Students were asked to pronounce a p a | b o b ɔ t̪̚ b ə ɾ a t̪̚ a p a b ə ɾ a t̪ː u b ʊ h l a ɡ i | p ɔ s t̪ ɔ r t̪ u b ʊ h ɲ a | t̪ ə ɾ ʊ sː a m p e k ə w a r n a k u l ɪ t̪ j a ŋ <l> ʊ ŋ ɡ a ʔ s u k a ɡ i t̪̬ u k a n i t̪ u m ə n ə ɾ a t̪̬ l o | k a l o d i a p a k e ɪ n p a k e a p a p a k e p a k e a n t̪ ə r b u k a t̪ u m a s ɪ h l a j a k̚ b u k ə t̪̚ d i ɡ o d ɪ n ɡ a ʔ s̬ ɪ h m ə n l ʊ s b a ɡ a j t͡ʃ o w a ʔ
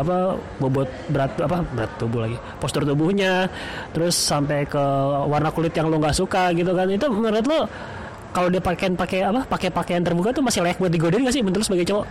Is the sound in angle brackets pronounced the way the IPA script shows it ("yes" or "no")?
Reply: yes